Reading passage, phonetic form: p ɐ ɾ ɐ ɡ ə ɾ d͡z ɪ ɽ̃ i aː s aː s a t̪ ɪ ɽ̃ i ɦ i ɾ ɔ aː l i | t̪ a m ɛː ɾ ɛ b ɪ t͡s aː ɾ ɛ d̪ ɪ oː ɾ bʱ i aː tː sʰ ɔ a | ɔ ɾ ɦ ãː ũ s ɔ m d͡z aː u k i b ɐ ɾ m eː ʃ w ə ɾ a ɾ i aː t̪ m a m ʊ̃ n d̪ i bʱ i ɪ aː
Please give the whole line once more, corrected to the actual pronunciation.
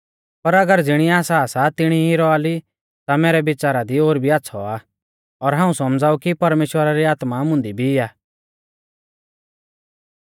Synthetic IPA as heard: p ɐ ɾ ɐ ɡ ə ɾ d͡z ɪ ɽ̃ i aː s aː s a t̪ ɪ ɽ̃ i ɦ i ɾ ɔ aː l i | t̪ a m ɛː ɾ ɛ b ɪ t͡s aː ɾ a d̪ i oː ɾ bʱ i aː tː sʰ ɔ a | ɔ ɾ ɦ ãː ũ s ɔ m d͡z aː u k i p ɐ ɾ m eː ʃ w ə ɾ a ɾ i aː t̪ m a m ʊ̃ n d̪ i bʱ i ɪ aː